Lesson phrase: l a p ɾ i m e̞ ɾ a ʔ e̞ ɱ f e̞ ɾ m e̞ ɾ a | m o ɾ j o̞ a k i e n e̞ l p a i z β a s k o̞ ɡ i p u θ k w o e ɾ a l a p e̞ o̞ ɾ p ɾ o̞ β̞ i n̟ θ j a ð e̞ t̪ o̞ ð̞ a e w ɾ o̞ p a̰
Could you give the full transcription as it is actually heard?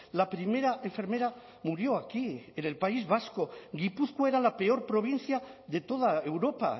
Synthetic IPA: l a p ɾ i m e̞ ɾ a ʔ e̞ ɱ f e̞ ɾ m e̞ ɾ a | m u ɾ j o̞ a k i e n e̞ l p a i z β a s k o̞ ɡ i p u θ k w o e ɾ a l a p e̞ o̞ ɾ p ɾ o̞ β̞ i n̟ θ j a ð e̞ t̪ o̞ ð̞ a e w ɾ o̞ p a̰